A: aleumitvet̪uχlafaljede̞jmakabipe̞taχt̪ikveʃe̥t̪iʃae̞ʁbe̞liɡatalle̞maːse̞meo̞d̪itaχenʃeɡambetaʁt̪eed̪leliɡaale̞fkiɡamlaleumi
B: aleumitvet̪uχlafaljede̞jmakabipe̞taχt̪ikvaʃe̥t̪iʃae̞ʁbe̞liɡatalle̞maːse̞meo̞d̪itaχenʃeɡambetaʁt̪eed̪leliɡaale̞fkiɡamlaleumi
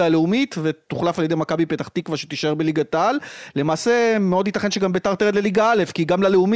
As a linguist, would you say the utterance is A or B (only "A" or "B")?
B